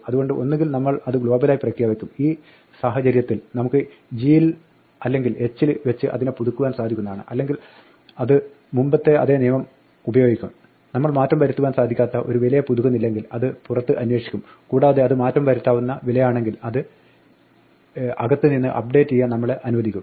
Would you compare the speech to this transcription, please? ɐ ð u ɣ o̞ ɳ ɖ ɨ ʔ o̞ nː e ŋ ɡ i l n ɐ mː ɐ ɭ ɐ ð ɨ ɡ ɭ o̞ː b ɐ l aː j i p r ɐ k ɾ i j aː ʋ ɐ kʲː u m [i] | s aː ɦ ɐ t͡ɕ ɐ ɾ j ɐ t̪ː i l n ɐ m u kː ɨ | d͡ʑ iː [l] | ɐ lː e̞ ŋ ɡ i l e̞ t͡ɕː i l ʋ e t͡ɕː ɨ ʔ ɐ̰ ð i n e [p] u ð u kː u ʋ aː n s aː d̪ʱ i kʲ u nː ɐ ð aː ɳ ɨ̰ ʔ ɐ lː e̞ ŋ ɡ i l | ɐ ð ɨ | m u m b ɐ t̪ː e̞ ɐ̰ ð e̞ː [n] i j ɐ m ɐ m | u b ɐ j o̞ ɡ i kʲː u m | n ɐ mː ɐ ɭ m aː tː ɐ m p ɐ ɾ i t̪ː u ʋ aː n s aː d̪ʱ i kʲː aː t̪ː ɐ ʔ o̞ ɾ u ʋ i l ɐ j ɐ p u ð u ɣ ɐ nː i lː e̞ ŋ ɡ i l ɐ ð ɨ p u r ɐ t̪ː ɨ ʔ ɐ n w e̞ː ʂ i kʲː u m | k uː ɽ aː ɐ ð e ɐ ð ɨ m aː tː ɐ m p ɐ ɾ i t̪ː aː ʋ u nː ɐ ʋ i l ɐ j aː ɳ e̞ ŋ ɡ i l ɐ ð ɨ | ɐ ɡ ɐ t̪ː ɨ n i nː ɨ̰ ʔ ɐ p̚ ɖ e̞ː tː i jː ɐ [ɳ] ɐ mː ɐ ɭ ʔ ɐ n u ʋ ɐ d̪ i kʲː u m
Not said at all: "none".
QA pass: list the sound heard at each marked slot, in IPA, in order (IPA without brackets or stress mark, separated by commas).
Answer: iː, l, p, n, n